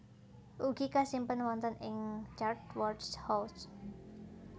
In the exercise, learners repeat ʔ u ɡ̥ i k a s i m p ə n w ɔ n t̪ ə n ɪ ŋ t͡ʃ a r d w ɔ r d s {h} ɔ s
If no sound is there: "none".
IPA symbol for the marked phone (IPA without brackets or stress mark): h